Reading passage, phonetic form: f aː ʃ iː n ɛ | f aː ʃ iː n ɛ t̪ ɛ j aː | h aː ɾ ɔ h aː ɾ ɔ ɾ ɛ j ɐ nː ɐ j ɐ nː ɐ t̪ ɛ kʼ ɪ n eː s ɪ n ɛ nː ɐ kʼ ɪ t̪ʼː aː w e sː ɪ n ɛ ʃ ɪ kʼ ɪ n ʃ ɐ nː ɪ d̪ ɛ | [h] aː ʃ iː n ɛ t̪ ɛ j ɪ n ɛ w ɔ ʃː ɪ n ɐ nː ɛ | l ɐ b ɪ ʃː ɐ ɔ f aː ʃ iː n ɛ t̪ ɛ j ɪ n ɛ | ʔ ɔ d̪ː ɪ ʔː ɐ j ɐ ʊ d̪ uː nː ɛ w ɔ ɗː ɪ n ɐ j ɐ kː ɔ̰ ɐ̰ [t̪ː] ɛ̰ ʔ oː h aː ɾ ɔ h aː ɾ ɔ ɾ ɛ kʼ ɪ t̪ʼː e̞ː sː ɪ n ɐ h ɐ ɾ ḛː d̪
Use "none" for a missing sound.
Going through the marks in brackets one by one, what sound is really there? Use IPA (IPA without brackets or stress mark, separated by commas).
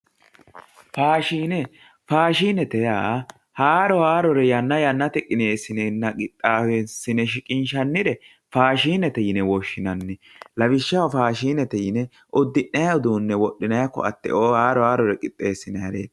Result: f, t̪ː